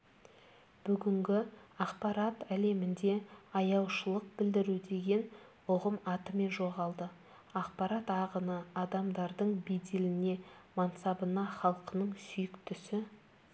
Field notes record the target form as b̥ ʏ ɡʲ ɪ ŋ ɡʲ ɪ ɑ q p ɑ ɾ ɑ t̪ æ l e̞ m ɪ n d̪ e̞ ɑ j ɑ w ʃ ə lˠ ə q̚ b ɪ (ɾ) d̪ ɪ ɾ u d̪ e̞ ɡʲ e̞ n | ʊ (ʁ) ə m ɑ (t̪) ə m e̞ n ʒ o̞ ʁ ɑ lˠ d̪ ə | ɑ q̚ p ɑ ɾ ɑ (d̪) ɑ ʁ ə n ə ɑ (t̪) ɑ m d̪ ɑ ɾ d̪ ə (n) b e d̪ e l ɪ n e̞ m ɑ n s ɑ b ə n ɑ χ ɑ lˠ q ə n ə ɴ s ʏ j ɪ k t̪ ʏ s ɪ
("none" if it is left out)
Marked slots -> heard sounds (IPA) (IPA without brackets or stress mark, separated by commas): l, ʁ, t̪, t̪, d̪, ɴ